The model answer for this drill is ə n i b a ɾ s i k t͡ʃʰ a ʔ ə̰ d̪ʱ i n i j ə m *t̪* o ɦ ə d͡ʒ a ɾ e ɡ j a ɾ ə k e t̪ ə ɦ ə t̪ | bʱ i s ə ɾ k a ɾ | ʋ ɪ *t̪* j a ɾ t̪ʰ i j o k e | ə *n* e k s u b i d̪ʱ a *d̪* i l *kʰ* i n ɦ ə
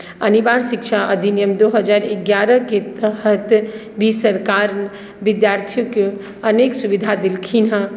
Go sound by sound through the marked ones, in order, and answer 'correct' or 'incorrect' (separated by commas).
incorrect, incorrect, correct, correct, correct